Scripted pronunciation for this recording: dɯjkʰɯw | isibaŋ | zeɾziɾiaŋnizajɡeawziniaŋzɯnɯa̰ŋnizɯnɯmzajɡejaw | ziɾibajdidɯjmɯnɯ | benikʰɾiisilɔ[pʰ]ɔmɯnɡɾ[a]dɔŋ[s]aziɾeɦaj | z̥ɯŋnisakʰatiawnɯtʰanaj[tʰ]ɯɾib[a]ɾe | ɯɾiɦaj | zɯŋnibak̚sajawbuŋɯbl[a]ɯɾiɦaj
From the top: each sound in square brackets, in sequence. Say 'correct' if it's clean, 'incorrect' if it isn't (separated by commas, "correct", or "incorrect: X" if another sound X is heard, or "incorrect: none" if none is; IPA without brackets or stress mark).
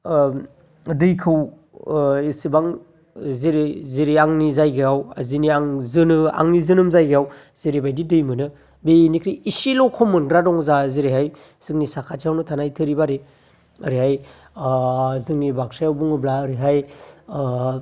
incorrect: kʰ, correct, incorrect: z, correct, correct, correct